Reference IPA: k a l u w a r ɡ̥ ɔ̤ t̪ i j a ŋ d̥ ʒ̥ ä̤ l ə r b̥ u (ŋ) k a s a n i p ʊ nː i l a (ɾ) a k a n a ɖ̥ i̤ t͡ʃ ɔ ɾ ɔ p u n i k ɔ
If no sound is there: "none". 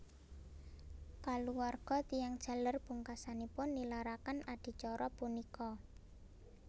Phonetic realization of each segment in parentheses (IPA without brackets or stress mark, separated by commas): ŋ, ɾ